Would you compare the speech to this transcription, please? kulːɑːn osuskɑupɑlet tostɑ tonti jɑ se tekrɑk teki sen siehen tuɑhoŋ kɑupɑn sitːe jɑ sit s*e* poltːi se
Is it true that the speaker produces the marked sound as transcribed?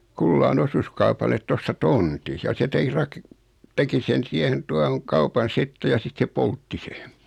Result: yes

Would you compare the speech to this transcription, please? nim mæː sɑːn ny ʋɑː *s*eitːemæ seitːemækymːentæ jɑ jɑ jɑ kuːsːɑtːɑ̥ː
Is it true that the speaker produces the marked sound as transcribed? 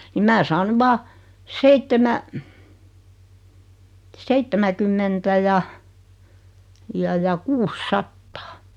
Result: yes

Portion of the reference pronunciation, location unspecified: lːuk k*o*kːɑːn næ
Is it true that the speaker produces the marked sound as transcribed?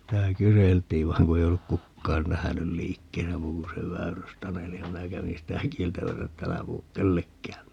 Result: no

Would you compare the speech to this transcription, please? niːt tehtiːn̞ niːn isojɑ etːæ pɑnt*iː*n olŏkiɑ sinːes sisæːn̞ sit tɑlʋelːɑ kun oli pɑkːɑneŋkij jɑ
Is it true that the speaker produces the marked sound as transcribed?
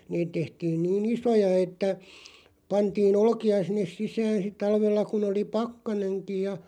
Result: yes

